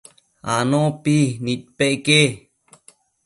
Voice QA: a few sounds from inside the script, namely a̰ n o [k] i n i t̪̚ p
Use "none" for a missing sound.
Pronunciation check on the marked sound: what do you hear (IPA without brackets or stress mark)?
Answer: p